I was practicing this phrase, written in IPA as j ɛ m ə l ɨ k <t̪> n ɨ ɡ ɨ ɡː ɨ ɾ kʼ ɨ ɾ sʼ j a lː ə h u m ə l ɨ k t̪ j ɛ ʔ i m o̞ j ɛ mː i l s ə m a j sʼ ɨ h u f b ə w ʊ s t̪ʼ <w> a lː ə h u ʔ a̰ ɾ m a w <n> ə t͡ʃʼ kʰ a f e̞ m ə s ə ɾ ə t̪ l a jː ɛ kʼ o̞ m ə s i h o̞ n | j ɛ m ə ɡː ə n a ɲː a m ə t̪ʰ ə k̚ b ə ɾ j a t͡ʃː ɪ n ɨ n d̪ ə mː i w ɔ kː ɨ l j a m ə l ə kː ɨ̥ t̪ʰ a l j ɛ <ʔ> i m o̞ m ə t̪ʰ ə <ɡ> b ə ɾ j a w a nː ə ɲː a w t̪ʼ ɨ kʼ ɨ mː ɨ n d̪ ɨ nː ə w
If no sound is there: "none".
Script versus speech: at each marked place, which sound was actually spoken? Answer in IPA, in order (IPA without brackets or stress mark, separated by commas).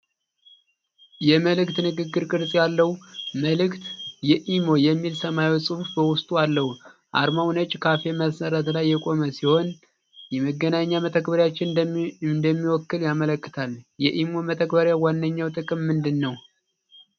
t̪, u, n, ʔ, k